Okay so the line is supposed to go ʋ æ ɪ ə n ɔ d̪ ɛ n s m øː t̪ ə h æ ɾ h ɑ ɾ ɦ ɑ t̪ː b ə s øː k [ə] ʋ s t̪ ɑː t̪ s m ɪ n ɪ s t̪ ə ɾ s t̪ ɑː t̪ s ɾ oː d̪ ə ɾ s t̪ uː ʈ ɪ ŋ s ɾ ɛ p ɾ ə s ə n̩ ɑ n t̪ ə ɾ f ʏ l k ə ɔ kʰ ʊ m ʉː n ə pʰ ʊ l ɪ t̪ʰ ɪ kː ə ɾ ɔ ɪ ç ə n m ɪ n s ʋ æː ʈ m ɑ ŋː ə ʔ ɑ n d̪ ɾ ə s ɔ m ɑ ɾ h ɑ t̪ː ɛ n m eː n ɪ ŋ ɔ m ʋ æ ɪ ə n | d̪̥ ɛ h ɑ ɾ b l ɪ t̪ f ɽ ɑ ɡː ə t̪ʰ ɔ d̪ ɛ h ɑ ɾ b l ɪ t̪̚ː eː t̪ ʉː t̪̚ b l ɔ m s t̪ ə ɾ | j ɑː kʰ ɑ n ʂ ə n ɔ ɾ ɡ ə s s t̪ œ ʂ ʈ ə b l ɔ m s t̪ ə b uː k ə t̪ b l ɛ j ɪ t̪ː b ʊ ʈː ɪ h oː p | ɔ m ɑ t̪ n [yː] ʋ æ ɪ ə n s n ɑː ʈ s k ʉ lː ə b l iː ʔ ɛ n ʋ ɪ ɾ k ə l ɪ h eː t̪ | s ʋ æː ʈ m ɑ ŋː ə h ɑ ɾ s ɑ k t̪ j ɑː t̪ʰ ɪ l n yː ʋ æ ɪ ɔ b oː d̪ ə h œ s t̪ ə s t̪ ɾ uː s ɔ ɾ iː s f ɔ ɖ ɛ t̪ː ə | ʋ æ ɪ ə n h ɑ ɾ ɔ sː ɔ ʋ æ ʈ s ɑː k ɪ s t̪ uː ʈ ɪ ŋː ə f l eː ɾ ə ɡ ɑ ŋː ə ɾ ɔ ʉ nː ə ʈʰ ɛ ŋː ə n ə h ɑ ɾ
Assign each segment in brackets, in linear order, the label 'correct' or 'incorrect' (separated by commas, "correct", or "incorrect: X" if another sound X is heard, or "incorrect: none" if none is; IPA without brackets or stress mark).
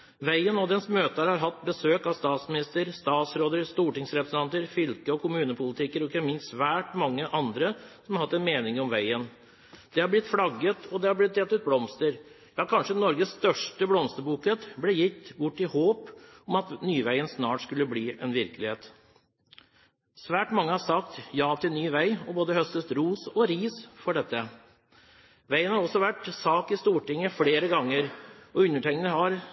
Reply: incorrect: ɑ, correct